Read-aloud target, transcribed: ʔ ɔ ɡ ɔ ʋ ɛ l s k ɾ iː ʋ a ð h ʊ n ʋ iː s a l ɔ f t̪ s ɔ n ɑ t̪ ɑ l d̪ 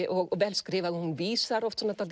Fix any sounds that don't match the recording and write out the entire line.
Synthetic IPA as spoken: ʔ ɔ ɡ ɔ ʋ ɛ l s k ɾ iː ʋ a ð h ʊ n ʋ iː s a ɾ ɔ f t̪ s ɔ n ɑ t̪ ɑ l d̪

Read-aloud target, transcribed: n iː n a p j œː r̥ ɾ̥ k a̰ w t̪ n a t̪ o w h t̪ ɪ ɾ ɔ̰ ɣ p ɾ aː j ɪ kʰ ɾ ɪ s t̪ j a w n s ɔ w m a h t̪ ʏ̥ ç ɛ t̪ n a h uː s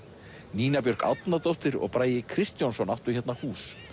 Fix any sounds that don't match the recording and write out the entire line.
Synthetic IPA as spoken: n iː n a p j œ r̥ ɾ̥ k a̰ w t̪ n a t̪ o w h t̪ ɪ ɾ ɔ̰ ɣ p ɾ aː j ɪ kʰ ɾ ɪ s t̪ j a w n s ɔ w n a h t̪ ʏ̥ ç ɛ t̪ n a h uː s

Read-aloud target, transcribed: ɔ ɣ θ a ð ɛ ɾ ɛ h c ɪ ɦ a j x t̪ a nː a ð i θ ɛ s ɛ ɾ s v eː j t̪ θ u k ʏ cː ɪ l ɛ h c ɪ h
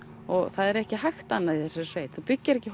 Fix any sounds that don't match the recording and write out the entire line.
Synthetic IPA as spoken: ɔ ɣ θ a ð ɛ ɾ ɛ h c ɪ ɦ a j x t̪ a nː a ð i θ ɛ s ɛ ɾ s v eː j t̪ θ u p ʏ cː ɪ ɾ ɛ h c ɪ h

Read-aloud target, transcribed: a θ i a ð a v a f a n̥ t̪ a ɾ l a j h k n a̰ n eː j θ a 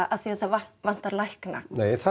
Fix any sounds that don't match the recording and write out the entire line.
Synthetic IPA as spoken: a θ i a θ a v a v a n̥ t̪ a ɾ l a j h k n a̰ n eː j θ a

